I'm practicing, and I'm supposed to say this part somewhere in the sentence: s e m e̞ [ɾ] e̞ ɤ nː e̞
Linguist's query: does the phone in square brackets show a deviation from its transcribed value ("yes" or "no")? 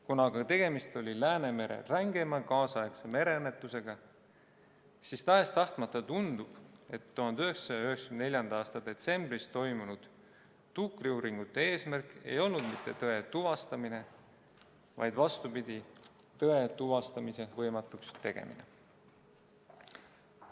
no